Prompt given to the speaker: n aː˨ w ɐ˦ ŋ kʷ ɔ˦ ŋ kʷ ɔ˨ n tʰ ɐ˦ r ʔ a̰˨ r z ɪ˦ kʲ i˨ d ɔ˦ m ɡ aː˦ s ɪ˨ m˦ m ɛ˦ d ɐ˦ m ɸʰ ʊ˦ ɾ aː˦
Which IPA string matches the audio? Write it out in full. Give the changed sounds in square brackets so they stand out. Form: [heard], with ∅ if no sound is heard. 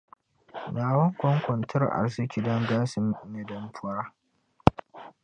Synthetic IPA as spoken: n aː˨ w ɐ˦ ŋ kʷ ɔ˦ ŋ kʷ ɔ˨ n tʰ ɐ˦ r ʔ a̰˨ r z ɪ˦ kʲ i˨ d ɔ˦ [ŋ] ɡ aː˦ s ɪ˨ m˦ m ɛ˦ d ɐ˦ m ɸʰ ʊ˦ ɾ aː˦

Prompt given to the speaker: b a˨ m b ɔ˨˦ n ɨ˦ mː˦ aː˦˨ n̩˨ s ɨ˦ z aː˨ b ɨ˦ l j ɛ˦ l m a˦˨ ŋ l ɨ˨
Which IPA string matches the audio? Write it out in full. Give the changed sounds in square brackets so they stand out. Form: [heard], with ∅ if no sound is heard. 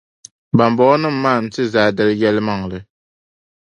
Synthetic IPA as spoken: b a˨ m b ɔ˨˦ n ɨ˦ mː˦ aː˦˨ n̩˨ [t] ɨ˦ z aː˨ [d] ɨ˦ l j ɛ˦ l m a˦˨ ŋ l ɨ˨

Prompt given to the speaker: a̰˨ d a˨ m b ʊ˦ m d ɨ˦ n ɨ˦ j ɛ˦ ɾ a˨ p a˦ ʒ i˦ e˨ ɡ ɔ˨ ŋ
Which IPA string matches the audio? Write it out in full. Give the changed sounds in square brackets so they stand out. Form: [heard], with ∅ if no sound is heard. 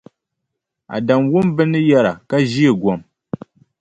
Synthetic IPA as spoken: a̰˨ d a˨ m [w] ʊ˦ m [b] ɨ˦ n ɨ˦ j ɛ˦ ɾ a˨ [k] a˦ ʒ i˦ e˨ ɡ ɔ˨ [m]

